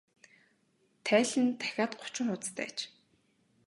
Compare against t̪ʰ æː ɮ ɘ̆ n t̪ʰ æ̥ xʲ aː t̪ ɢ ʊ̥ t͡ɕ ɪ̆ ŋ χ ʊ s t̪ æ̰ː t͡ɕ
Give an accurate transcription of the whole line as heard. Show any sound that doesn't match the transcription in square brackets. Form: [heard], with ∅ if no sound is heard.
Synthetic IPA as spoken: t̪ʰ æː ɮ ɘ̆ n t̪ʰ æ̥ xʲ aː t̪ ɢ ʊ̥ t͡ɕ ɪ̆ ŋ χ ʊ [t͡s] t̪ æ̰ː t͡ɕ